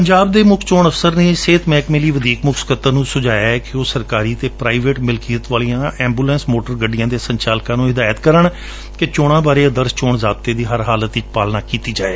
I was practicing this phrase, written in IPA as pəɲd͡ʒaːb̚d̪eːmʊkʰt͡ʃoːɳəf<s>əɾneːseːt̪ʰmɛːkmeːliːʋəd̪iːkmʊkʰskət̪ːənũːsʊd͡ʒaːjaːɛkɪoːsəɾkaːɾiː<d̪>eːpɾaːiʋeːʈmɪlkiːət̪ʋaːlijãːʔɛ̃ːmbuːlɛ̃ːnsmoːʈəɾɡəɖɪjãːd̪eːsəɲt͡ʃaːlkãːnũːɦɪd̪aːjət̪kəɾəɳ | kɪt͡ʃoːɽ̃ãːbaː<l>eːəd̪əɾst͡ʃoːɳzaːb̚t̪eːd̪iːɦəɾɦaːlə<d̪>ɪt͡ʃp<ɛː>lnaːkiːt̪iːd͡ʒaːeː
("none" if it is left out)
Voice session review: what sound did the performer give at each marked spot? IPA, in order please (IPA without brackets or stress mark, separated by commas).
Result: s, t̪, ɾ, t̪, aː